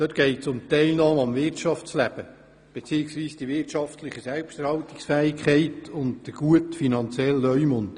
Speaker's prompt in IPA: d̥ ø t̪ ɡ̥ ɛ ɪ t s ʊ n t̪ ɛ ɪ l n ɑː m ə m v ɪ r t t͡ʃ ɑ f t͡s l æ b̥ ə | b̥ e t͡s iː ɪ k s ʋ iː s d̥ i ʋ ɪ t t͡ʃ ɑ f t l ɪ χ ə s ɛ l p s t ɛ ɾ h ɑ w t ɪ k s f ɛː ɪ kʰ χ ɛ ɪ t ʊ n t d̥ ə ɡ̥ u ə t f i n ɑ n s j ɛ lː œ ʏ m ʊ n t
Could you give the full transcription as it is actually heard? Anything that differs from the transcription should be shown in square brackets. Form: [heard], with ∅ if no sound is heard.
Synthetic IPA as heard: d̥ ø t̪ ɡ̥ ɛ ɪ t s ʊ [m] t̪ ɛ ɪ l n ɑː m [ɑ] m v ɪ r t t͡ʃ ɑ f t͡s l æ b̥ ə | b̥ e t͡s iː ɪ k s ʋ iː s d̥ i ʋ ɪ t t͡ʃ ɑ f t l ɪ χ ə s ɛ l p [ʃ] t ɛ ɾ h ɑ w t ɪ k s f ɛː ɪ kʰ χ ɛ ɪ t ʊ n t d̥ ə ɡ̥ u ə t f i n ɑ n [t͡s] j ɛ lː œ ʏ m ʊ n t